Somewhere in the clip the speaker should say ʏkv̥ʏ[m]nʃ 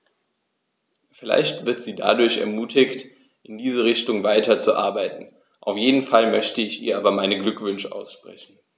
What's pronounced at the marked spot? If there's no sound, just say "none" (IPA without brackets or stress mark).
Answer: none